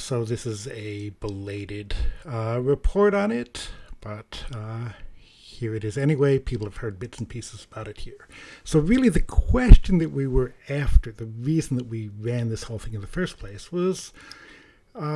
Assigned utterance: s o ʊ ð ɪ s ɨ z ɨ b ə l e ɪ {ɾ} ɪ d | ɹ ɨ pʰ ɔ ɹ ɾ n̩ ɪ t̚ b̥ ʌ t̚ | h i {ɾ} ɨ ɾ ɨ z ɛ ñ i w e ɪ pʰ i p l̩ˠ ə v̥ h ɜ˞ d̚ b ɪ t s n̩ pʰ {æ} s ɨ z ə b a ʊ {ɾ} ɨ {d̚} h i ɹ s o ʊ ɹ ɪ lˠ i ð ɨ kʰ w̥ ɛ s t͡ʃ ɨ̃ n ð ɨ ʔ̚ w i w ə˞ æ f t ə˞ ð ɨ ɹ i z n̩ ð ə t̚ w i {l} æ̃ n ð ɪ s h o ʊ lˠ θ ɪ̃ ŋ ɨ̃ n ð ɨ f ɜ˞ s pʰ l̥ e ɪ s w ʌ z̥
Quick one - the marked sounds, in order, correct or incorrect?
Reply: correct, incorrect, incorrect, correct, incorrect, incorrect

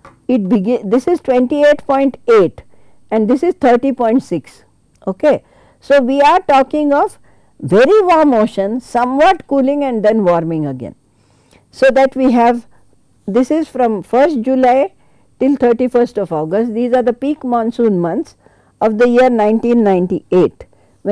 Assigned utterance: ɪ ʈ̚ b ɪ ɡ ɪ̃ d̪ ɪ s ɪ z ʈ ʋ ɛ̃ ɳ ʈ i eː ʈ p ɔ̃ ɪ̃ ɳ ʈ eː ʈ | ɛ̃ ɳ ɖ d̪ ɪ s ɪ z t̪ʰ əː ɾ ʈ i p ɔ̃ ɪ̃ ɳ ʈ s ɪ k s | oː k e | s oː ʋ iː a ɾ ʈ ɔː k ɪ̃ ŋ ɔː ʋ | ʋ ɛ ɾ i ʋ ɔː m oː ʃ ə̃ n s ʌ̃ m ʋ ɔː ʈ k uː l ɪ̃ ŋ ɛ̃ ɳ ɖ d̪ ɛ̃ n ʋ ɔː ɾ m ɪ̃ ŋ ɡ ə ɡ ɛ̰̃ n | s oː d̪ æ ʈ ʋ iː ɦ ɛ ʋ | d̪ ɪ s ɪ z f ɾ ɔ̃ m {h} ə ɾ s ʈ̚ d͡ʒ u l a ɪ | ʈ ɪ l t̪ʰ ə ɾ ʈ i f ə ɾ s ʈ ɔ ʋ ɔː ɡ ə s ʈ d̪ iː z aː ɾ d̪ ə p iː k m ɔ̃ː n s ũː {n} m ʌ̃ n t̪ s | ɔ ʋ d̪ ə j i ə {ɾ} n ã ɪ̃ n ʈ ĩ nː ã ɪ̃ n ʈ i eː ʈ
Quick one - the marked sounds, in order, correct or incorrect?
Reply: incorrect, correct, correct

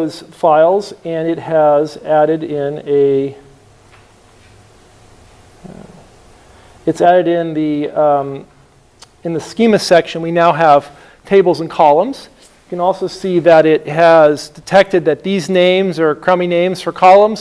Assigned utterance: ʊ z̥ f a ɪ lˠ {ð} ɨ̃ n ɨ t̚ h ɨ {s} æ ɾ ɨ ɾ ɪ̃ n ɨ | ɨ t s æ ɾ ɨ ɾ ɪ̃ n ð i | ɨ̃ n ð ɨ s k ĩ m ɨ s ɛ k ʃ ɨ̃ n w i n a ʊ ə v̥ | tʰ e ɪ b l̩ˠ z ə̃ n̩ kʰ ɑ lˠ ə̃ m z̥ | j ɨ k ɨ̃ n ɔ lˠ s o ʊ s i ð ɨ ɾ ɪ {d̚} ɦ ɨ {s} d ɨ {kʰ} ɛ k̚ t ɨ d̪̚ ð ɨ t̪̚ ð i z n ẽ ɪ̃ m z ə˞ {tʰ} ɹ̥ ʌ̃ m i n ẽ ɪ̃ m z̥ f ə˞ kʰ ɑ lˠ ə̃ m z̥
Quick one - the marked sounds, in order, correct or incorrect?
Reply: incorrect, incorrect, incorrect, incorrect, incorrect, incorrect

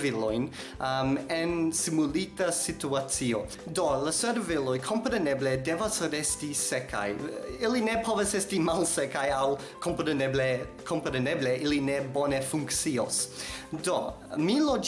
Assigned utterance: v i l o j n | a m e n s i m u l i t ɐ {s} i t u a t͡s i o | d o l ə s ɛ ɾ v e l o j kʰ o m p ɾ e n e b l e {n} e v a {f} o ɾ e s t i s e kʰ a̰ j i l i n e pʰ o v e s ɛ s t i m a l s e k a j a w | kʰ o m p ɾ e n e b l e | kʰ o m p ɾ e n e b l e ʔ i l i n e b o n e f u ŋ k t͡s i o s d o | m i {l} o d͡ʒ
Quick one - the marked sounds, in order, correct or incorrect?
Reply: correct, incorrect, incorrect, correct

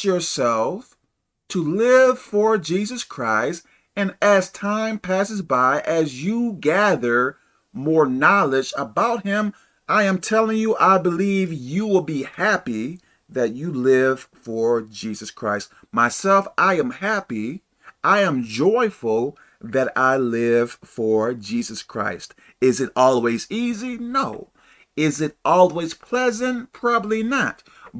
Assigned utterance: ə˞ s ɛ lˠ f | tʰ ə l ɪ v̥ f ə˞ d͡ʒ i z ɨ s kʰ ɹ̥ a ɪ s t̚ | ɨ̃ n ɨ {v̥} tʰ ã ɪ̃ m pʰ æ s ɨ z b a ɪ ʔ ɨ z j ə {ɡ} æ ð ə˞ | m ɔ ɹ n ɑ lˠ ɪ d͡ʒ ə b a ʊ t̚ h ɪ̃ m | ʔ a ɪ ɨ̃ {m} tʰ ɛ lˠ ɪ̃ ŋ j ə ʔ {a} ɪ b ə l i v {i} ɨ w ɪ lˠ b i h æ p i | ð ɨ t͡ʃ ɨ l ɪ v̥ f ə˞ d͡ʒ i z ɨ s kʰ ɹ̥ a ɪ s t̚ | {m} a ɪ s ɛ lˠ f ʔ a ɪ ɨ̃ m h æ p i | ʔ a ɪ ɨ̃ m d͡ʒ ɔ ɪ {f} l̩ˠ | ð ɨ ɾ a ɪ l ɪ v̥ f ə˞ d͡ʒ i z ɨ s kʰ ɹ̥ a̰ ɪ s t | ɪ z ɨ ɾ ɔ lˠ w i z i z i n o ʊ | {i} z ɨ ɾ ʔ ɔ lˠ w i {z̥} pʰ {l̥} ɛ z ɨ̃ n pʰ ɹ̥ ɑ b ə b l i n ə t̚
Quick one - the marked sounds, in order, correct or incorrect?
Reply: incorrect, correct, correct, correct, incorrect, correct, correct, incorrect, correct, correct

